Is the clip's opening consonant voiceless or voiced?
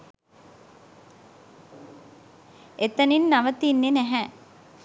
voiceless